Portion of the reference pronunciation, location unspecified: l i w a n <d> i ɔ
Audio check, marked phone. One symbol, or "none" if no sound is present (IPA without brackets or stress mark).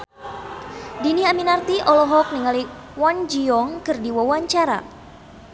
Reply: d͡ʒ